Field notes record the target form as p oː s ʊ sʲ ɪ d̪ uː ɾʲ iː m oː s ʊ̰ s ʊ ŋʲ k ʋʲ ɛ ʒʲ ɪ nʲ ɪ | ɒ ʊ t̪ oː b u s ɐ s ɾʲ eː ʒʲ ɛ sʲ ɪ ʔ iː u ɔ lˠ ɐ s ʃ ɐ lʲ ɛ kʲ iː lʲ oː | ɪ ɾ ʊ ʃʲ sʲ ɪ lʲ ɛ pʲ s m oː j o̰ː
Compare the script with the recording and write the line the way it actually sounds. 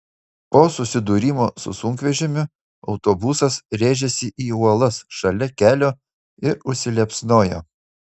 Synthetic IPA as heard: p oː s ʊ sʲ ɪ d̪ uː ɾʲ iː m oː s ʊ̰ s ʊ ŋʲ k ʋʲ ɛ ʒʲ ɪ mʲ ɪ | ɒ ʊ t̪ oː b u s ɐ s ɾʲ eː ʒʲ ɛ sʲ ɪ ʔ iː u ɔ lˠ ɐ s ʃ ɐ lʲ ɛ kʲ æː lʲ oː | ɪ ɾ ʊ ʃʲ sʲ ɪ lʲ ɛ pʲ s n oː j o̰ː